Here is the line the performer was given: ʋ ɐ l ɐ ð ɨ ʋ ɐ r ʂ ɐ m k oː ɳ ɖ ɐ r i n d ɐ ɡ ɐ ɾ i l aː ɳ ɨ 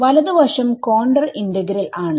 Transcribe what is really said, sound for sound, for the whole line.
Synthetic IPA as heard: ʋ ɐ l ɐ ð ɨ ʋ ɐ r ʂ ɐ m k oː ɳ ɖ ɐ r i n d ɐ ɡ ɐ ɾ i l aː ɳ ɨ